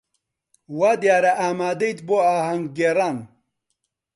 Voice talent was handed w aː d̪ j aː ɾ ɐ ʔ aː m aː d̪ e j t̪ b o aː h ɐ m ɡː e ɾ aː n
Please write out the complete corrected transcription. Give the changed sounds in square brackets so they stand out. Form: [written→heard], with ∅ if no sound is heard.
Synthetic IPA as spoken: w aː d̪ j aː ɾ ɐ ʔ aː m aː d̪ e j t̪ b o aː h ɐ [m→ŋ] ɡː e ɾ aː n